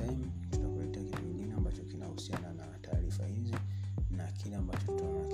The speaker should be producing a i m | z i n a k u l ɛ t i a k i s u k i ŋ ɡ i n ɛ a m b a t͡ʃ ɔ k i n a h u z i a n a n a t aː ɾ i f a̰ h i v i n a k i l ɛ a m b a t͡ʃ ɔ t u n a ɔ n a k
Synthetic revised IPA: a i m | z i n a k u l ɛ t ɛ a k i t u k i ŋ ɡ i n ɛ a m b a t͡ʃ ɔ k i n a h u s i a n a n a t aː ɾ i f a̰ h i z i n a k i l ɛ a m b a t͡ʃ ɔ t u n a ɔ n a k